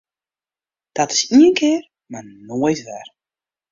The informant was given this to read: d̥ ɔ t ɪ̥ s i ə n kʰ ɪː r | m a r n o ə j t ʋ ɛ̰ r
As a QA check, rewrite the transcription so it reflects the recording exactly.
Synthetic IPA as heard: d̥ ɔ t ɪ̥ s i ə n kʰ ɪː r | m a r n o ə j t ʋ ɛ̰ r